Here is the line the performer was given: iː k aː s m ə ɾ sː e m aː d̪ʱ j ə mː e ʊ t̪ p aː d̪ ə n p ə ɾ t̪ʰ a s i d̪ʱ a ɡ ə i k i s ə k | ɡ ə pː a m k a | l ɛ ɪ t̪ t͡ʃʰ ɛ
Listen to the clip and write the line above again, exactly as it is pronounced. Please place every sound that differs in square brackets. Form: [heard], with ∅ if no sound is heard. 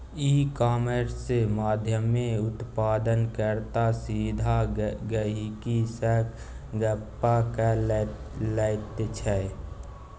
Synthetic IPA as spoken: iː k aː [∅] m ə ɾ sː e m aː d̪ʱ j ə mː e ʊ t̪ p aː d̪ ə n [k] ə ɾ [t̪] a s i d̪ʱ a ɡ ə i k i s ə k | ɡ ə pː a [∅] k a | l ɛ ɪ t̪ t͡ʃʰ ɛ